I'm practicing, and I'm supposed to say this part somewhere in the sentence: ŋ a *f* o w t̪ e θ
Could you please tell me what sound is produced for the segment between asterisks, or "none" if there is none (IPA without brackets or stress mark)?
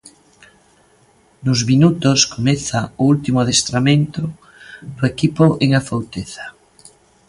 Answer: f